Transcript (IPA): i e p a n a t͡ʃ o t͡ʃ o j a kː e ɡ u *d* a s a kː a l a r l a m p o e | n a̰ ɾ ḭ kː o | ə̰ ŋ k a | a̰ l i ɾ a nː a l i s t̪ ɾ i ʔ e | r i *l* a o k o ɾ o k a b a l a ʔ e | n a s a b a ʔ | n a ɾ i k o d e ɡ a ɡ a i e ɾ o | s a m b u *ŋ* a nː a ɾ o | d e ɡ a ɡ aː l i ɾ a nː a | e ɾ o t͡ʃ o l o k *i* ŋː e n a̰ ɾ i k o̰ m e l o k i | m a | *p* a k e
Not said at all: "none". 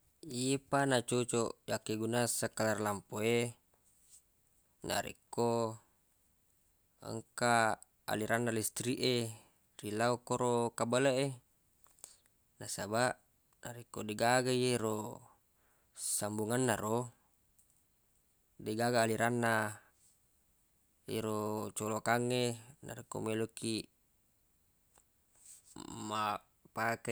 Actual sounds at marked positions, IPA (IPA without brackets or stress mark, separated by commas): n, l, ŋ, a, p